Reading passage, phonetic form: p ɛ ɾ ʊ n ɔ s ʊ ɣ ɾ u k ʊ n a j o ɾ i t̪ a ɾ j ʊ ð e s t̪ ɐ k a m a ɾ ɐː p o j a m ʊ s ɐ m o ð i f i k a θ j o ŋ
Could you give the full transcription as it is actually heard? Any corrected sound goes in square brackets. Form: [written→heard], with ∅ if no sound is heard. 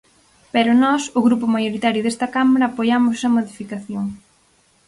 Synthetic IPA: p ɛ ɾ ʊ n ɔ s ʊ ɣ ɾ u [k→p] ʊ [n→m] a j o ɾ i t̪ a ɾ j ʊ ð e s t̪ ɐ k a m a ɾ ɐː p o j a m ʊ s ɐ m o ð i f i k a θ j o ŋ